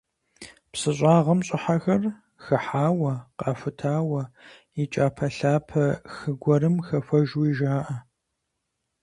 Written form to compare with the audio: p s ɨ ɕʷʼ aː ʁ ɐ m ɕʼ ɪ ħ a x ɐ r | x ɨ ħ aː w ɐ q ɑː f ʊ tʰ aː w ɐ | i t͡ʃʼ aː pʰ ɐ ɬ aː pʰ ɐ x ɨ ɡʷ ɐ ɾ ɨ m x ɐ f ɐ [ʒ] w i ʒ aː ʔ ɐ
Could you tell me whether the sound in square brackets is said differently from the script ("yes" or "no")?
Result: no